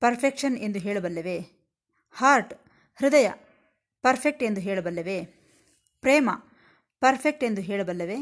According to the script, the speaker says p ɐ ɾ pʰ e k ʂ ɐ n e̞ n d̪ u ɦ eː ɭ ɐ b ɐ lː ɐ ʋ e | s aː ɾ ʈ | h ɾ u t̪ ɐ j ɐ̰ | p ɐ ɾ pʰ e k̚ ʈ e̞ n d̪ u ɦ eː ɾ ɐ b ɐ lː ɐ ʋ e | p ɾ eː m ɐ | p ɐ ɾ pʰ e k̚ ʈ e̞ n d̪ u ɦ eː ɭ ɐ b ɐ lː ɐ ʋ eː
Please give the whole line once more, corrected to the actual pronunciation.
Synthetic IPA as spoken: p ɐ ɾ pʰ e k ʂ ɐ n e̞ n d̪ u ɦ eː ɭ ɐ b ɐ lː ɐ ʋ e | h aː ɾ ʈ | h ɾ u d̪ ɐ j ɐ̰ | p ɐ ɾ pʰ e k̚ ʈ e̞ n d̪ u ɦ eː ɭ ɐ b ɐ lː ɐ ʋ e | p ɾ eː m ɐ | p ɐ ɾ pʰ e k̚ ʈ e̞ n d̪ u ɦ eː ɭ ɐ b ɐ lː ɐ ʋ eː